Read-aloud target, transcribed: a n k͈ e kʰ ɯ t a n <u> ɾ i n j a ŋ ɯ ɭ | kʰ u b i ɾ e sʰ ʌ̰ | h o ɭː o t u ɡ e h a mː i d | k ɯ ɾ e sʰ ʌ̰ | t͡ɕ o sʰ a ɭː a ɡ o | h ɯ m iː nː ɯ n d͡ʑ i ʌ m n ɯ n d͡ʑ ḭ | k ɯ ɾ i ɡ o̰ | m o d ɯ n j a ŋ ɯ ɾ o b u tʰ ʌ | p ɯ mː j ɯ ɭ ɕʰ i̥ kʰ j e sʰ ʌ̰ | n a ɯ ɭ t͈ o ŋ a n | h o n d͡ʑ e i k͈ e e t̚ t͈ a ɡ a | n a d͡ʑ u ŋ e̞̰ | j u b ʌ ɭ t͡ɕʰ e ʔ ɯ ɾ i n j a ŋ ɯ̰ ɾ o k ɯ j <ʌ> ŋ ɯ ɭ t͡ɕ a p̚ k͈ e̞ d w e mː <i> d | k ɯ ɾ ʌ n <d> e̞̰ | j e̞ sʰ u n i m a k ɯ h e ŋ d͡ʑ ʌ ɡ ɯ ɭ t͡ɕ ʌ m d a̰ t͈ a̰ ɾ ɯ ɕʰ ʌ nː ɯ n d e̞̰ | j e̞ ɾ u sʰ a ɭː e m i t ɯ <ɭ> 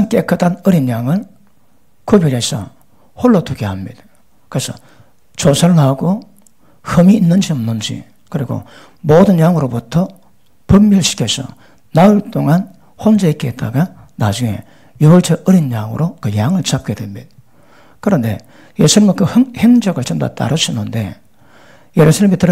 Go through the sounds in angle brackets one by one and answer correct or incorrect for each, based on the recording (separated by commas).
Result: incorrect, incorrect, correct, correct, incorrect